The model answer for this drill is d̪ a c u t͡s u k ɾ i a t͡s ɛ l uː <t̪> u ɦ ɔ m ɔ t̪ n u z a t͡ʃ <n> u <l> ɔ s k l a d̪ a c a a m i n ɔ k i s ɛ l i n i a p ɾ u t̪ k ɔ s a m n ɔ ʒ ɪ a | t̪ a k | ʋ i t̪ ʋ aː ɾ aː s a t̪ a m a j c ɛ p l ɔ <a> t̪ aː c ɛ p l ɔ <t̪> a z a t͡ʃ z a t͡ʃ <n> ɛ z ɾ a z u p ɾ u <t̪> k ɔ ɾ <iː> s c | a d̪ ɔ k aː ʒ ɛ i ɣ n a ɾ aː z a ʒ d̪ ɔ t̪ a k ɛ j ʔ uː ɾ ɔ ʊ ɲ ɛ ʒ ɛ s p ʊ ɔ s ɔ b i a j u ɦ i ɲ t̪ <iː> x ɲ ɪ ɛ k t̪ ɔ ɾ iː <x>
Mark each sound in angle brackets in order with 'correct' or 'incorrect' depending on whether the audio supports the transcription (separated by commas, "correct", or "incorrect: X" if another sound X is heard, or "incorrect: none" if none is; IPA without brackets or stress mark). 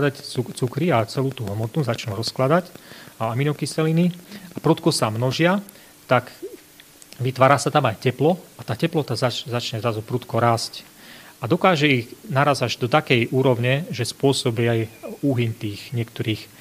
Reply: correct, correct, incorrect: ɾ, correct, correct, incorrect: ɲ, correct, incorrect: aː, correct, correct